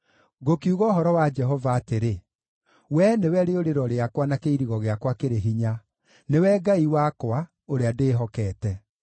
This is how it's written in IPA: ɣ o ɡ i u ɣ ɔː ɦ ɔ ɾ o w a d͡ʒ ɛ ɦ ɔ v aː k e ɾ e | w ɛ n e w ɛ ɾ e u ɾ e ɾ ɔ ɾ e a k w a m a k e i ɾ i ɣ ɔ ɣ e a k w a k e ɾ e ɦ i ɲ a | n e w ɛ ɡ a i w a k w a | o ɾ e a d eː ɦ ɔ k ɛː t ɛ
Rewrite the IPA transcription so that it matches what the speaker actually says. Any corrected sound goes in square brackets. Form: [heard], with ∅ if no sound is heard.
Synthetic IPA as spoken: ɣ o [k] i u ɣ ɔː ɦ ɔ ɾ [ɔ] w a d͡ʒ ɛ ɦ ɔ v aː [t] e ɾ e | w ɛ n e w ɛ ɾ e [o] ɾ e ɾ ɔ ɾ e a k w a [n] a k e i ɾ i ɣ ɔ ɣ e a k w a k e ɾ e ɦ i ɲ a | n e w ɛ ɡ a i w a k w a | o ɾ e a d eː ɦ ɔ k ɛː t ɛ